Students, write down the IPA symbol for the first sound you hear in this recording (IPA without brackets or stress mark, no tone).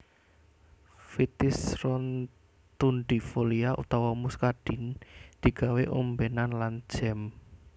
f